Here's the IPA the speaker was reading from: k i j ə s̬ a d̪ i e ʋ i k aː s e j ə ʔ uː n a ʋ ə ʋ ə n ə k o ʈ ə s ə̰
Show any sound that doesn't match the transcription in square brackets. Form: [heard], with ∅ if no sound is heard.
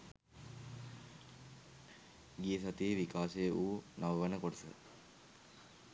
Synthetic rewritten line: [ɡ] i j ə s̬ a [t̪] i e ʋ i k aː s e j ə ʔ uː n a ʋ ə ʋ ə n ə k o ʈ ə s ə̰